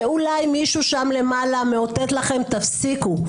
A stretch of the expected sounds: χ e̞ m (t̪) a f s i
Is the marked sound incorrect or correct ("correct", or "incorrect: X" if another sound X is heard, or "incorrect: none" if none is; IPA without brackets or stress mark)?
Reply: correct